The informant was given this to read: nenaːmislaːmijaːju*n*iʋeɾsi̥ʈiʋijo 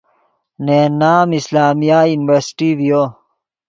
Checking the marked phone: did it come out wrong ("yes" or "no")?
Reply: no